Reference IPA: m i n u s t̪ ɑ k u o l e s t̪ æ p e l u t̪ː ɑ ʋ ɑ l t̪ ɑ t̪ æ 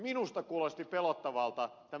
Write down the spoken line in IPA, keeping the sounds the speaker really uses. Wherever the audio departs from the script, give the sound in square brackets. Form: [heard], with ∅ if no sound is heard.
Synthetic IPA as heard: m i n u s t̪ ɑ k u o l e s t̪ [i] p e l [o] t̪ː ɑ ʋ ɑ l t̪ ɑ t̪ æ

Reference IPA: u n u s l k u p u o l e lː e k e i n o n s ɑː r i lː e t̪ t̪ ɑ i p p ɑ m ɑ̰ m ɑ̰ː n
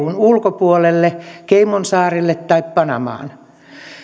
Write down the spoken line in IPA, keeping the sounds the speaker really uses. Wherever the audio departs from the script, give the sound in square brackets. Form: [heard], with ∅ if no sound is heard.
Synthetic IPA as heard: u n u [∅] l k [o] p u o l e lː e k e i [m] o n s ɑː r i lː e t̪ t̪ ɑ i p p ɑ [n] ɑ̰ m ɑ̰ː n

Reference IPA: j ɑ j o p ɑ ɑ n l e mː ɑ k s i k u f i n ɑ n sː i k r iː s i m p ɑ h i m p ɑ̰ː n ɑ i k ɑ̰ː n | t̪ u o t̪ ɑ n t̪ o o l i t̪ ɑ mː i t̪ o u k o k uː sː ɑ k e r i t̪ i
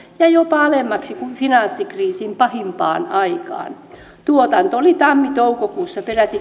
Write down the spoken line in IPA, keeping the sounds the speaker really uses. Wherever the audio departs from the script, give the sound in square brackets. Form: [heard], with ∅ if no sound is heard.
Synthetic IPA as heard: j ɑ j o p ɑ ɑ [∅] l e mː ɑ k s i k u f i n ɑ n sː i k r iː s i m p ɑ h i m p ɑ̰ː n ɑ i k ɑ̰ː n | t̪ u o t̪ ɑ n t̪ o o l i t̪ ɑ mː i t̪ o u k o k uː sː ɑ [p] e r [æ] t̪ i

